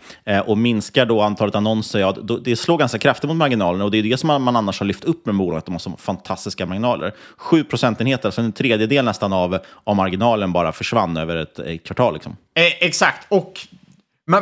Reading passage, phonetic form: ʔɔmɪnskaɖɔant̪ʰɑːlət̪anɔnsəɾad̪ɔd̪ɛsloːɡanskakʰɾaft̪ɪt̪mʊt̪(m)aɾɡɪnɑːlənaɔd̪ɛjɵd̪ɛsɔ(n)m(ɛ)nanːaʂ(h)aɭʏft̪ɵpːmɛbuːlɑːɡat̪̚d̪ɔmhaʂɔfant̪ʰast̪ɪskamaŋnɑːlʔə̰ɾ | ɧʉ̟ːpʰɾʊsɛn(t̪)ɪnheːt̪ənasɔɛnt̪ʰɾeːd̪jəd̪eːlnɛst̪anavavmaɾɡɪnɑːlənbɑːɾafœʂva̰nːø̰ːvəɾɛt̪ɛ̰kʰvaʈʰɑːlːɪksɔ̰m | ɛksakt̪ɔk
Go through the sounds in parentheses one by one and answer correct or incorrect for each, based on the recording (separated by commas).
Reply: correct, incorrect, incorrect, correct, correct